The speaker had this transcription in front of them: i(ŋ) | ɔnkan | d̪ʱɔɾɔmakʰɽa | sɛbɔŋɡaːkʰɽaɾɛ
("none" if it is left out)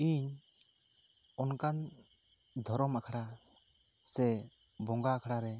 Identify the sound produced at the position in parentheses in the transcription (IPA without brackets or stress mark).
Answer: ɲ